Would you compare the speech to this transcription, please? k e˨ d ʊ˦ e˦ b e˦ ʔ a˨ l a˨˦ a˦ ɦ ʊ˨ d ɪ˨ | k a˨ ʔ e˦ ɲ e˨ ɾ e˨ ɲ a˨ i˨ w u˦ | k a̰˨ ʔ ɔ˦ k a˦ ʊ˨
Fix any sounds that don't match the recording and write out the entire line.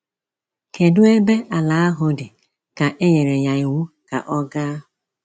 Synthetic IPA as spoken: k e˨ d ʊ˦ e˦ b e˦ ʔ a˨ l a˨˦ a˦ ɦ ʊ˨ d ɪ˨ | k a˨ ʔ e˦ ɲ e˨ ɾ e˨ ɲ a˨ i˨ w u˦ | k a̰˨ ʔ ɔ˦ ɡ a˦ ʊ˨